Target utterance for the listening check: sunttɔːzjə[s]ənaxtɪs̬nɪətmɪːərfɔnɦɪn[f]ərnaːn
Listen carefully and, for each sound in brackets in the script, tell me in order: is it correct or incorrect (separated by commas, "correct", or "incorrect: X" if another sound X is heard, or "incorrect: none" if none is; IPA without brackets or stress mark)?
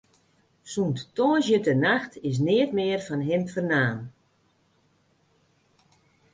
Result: incorrect: t, correct